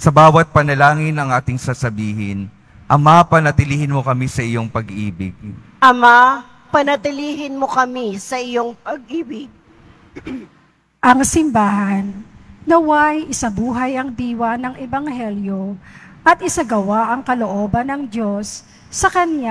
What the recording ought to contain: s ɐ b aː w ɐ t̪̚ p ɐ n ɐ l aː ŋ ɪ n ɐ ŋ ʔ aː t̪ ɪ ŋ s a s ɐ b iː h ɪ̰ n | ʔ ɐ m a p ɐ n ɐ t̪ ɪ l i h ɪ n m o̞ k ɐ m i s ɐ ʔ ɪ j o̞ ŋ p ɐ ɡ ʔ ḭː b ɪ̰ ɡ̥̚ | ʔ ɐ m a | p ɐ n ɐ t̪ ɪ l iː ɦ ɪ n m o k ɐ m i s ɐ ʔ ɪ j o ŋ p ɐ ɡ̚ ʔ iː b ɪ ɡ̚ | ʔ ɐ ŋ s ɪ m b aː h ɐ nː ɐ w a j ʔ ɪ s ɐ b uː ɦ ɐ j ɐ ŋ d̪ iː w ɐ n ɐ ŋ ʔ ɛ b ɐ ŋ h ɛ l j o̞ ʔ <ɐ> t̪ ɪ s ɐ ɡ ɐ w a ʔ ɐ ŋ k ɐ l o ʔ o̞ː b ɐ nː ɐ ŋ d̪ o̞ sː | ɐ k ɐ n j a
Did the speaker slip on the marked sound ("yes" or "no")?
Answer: no